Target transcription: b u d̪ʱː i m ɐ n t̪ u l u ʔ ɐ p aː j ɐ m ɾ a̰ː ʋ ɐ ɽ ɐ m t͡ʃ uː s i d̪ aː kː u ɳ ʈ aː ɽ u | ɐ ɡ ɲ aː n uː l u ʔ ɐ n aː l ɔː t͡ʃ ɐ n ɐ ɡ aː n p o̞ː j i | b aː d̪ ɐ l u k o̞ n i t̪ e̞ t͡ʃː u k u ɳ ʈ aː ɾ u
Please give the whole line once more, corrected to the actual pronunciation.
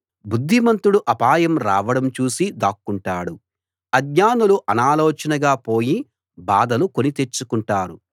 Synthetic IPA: b u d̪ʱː i m ɐ n t̪ u ɽ u ʔ ɐ p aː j ɐ m ɾ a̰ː ʋ ɐ ɽ ɐ m t͡ʃ uː s i d̪ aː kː u ɳ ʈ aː ɽ u | ɐ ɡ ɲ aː n u l u ʔ ɐ n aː l ɔː t͡ʃ ɐ n ɐ ɡ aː p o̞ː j i | b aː d̪ ɐ l u k o̞ n i t̪ e̞ t͡ʃː u k u ɳ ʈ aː ɾ u